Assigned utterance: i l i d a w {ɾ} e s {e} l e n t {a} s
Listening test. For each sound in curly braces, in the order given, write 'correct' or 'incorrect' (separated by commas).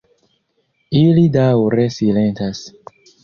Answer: correct, incorrect, correct